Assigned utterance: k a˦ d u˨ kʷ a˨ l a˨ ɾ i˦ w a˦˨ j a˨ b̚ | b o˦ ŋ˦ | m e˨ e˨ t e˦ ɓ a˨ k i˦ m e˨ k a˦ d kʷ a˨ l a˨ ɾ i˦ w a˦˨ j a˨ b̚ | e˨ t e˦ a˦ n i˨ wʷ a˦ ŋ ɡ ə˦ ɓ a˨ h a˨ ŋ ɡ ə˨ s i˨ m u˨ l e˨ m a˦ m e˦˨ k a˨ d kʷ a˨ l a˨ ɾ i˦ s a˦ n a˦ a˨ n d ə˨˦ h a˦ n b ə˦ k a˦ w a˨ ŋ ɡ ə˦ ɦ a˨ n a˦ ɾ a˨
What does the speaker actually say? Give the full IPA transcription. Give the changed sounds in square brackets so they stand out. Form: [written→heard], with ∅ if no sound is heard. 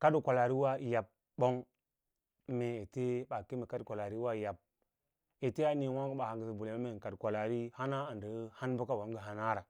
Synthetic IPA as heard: k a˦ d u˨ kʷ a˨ l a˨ ɾ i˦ w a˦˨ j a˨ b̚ | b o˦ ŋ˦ | m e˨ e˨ t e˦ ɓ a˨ k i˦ m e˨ k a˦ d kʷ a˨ l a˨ ɾ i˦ w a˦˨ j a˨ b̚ | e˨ t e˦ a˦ n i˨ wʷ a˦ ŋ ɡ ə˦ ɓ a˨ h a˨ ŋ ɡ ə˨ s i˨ [m→b] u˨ l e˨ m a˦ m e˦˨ k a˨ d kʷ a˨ l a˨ ɾ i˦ [s→h] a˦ n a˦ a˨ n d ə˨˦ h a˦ n b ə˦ k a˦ w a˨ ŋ ɡ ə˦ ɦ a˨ n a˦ ɾ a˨